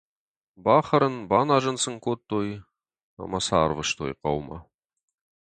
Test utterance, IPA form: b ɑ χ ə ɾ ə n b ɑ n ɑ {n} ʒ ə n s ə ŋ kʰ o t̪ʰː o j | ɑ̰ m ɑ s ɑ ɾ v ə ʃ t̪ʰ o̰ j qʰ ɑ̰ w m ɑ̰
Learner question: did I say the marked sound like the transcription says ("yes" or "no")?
no